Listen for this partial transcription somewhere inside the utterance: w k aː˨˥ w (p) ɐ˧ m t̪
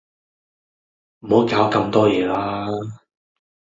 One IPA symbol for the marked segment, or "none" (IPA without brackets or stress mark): k